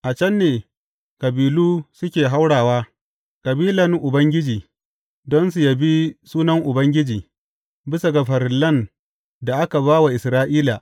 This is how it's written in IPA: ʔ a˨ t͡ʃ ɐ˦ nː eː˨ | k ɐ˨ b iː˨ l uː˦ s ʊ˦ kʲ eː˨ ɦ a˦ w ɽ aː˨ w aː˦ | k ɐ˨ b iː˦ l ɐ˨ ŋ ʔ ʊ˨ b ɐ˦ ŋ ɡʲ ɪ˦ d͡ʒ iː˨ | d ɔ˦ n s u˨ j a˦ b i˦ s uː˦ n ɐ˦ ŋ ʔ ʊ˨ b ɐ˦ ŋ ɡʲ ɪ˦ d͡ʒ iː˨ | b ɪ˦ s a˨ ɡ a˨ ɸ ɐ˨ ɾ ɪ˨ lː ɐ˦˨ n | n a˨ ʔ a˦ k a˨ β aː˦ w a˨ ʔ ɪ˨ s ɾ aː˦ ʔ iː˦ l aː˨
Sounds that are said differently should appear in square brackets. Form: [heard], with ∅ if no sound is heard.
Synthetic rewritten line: ʔ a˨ t͡ʃ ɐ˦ nː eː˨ | k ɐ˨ b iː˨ l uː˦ s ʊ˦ kʲ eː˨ ɦ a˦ w ɽ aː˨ w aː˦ | k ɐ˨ b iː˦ l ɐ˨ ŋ ʔ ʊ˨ b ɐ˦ ŋ ɡʲ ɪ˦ d͡ʒ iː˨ | d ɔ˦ n s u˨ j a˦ b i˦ s uː˦ n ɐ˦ ŋ ʔ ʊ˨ b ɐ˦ ŋ ɡʲ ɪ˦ d͡ʒ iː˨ | b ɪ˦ s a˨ ɡ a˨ ɸ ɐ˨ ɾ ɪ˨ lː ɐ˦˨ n | [d] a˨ ʔ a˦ k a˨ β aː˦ w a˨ ʔ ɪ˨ s ɾ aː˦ ʔ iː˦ l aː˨